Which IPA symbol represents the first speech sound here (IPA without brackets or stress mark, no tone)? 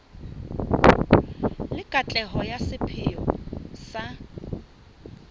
l